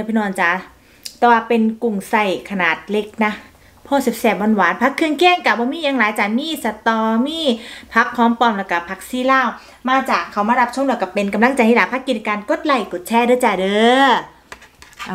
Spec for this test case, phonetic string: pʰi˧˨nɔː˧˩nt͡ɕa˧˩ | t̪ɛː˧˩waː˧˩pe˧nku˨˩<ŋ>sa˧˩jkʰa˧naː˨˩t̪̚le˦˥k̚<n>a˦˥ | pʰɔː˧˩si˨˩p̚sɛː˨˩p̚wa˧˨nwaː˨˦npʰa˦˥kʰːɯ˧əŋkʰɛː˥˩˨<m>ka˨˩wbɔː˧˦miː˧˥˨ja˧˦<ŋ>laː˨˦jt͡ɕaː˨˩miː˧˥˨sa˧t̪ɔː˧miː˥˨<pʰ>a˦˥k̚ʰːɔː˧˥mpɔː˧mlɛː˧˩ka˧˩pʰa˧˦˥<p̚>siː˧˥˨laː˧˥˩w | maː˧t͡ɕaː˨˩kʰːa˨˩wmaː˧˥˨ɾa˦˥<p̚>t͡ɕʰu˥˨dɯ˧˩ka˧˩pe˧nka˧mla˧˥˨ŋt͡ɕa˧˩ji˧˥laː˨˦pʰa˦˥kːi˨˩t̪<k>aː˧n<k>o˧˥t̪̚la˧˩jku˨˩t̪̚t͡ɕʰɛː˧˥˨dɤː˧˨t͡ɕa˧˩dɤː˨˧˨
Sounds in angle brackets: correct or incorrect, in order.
correct, correct, incorrect: ŋ, correct, correct, incorrect: k̚, correct, correct, correct

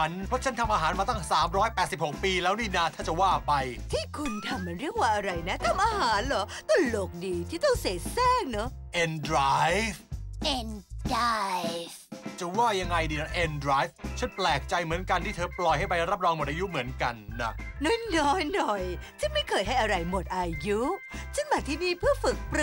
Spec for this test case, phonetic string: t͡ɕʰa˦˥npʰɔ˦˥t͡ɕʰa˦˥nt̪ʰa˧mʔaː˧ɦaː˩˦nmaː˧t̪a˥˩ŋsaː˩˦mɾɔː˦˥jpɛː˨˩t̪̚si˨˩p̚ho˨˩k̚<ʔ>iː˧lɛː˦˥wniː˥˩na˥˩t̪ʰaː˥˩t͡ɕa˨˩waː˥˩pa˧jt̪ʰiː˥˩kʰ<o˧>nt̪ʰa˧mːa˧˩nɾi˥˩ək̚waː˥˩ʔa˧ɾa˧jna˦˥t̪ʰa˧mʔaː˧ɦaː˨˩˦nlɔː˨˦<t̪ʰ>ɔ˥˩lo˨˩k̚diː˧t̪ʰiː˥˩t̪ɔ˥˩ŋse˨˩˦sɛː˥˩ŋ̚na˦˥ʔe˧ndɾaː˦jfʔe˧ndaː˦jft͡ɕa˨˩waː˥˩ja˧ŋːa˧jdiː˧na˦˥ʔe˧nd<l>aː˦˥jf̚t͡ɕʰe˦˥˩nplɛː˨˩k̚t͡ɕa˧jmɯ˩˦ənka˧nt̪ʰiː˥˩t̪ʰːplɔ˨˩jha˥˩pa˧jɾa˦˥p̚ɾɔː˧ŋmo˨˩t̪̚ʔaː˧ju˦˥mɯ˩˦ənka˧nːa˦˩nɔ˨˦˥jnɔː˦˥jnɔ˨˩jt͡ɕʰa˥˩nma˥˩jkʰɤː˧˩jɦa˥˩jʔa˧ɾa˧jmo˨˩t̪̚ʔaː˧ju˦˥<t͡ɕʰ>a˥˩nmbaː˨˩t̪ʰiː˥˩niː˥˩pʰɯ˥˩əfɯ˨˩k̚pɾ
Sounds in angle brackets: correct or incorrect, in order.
incorrect: p, incorrect: u˧, incorrect: t̪, incorrect: ɾ, correct

